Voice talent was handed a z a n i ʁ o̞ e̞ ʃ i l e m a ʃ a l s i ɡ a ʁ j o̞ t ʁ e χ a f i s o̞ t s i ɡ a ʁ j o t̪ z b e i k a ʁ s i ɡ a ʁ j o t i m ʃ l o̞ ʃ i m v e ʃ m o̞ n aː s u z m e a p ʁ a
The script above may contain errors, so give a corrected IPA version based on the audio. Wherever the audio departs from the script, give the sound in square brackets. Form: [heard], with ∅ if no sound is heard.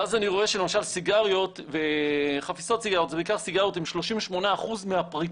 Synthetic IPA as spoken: a z a n i ʁ o̞ e̞ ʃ [e] l e m a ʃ a l s i ɡ a ʁ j o̞ t [v] e χ a f i s o̞ t s i ɡ a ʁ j o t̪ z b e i k a ʁ s i ɡ a ʁ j o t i m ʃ l o̞ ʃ i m v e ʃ m o̞ n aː [χ] u z m e a p ʁ [i]